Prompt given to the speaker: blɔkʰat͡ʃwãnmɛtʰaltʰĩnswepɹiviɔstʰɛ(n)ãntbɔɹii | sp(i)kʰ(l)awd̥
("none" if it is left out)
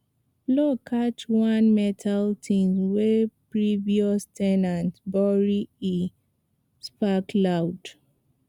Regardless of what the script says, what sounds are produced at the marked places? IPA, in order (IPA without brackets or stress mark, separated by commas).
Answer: n, a, l